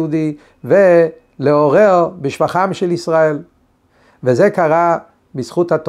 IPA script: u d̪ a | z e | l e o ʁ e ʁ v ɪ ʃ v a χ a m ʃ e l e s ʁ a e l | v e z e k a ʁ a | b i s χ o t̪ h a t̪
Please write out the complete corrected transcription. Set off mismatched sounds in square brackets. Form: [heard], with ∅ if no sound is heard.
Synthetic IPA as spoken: u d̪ [i] | [v] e | l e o ʁ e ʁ [b] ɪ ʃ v a χ a m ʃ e l [i] s ʁ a e l | v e z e k a ʁ a | b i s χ [u] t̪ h a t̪